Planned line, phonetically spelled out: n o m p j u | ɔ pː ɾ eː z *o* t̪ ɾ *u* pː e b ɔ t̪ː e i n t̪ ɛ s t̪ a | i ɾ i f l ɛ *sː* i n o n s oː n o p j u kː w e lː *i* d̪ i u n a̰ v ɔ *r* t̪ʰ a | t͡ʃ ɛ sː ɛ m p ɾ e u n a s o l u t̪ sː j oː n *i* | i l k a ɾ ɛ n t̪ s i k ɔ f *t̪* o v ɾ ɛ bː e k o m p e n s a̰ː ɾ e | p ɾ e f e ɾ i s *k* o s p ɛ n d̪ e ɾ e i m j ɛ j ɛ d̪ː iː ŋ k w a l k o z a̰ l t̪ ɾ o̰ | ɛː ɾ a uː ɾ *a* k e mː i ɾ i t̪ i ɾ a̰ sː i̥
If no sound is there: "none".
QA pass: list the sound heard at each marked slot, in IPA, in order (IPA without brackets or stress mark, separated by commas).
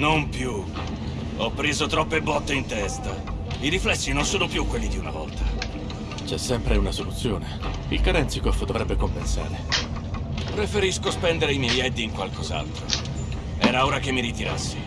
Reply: o, ɔ, sː, i, l, e, d̪, k, a